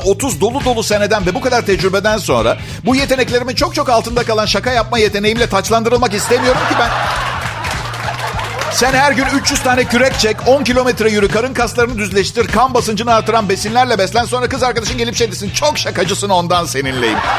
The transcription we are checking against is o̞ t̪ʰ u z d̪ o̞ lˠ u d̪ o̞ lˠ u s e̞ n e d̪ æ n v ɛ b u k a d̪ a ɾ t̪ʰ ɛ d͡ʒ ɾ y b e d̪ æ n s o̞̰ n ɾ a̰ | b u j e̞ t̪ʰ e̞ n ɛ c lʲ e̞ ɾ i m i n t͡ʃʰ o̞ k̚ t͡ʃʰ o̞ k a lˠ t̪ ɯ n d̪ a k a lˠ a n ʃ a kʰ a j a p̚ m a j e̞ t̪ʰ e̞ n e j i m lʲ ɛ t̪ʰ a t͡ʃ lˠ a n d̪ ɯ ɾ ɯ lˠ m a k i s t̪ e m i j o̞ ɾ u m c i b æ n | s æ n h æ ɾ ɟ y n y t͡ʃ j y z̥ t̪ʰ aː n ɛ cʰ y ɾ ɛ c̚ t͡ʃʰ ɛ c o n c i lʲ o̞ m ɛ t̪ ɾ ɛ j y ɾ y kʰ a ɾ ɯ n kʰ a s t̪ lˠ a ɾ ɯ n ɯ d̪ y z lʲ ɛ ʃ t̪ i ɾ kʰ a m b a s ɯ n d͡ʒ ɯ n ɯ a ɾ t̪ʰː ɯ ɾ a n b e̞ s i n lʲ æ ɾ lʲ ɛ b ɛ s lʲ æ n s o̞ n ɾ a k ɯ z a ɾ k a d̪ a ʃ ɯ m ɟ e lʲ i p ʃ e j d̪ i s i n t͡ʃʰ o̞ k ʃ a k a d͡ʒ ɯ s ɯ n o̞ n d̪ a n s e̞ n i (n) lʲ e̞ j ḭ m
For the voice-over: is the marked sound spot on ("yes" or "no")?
yes